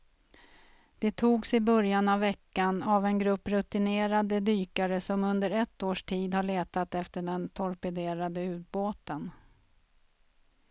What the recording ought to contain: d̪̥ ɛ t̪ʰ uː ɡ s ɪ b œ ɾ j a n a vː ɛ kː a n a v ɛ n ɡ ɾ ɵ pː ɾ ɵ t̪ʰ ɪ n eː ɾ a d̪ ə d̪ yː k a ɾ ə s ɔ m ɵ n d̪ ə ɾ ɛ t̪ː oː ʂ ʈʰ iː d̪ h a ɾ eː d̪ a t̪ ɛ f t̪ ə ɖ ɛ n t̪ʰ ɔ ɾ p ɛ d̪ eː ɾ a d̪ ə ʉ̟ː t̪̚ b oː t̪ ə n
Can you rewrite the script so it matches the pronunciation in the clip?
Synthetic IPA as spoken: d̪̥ ɛ t̪ʰ uː ɡ s ɪ b œ ɾ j a n a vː ɛ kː a n a v ɛ n ɡ ɾ ɵ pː ɾ ɵ t̪ ɪ n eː ɾ a d̪ ə d̪ yː k a ɾ ə s ɔ m ɵ n d̪ ə ɾ ɛ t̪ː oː ʂ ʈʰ iː d̪ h a ɭ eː t̪ a t̪ ɛ f t̪ ə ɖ ɛ n t̪ʰ ɔ ɾ p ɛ d̪ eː ɾ a d̪ ə ʉ̟ː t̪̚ b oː t̪ ə n